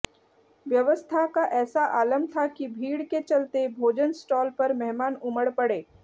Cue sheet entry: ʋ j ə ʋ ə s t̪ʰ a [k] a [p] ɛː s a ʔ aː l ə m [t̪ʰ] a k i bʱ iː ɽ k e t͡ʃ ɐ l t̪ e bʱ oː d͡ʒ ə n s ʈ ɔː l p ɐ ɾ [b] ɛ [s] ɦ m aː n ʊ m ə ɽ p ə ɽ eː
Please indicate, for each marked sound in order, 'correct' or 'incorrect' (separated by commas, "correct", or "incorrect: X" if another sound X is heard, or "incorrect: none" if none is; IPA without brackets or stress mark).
correct, incorrect: ʔ, correct, incorrect: m, incorrect: none